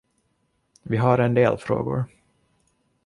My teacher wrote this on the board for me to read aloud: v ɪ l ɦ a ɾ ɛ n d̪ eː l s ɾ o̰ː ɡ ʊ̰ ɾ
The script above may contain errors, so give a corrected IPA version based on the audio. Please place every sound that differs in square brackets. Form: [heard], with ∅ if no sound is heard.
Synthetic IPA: v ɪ [∅] ɦ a ɾ ɛ n d̪ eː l [f] ɾ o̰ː ɡ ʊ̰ ɾ